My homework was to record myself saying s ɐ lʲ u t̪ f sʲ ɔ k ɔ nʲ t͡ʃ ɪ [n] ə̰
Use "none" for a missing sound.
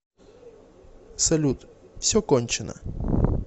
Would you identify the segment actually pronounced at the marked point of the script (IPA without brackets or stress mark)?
n